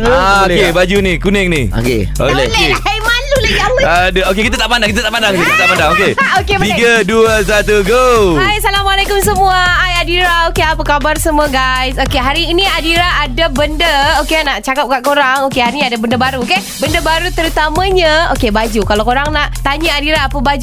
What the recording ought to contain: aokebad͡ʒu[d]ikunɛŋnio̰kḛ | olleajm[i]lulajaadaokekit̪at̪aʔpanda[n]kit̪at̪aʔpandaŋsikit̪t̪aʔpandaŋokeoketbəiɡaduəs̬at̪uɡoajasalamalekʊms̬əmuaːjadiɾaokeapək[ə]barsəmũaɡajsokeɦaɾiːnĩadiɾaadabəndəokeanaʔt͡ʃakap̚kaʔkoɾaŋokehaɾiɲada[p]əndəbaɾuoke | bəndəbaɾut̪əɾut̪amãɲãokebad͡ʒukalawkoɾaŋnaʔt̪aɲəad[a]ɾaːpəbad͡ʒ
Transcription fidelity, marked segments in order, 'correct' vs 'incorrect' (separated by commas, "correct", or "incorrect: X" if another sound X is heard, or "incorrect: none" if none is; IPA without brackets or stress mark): incorrect: n, incorrect: a, incorrect: ŋ, incorrect: a, incorrect: b, incorrect: i